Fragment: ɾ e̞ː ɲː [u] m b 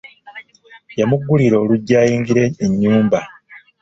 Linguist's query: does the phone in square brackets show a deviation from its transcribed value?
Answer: yes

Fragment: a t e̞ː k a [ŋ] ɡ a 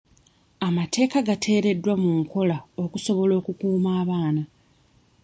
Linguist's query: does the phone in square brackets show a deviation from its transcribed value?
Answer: yes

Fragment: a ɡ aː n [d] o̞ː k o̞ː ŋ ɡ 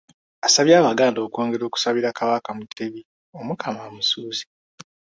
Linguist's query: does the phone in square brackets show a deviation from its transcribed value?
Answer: no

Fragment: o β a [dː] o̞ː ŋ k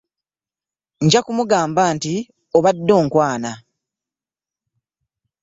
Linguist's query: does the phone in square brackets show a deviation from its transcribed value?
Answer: no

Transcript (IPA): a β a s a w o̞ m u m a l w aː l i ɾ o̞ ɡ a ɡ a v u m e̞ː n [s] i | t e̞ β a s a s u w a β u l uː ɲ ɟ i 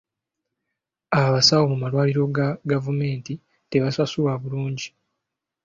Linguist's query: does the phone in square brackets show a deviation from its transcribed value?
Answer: yes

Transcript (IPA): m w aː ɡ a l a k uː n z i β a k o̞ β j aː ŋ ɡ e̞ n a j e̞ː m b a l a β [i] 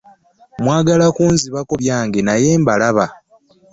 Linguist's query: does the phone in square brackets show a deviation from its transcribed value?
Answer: yes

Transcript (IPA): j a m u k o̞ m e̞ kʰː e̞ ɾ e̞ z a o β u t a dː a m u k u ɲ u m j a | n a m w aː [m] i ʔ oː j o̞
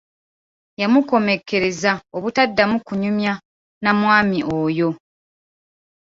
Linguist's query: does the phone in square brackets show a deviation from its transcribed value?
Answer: no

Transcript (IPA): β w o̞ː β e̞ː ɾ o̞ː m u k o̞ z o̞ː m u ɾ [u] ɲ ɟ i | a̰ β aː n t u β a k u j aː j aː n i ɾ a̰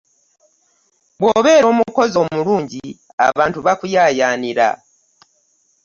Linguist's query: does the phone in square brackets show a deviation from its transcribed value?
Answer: yes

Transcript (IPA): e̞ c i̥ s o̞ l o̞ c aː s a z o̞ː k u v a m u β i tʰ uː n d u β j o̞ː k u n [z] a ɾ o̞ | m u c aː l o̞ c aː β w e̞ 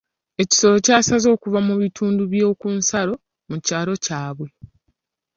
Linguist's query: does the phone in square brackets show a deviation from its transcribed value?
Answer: yes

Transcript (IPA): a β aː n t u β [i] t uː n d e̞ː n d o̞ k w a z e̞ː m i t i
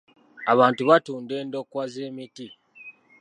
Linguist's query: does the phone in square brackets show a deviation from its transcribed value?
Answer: yes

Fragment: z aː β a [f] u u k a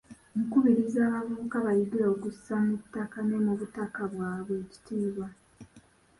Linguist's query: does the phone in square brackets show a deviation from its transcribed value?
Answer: yes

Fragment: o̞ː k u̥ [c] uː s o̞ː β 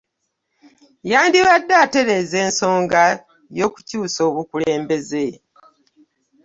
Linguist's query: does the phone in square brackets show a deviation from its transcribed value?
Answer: no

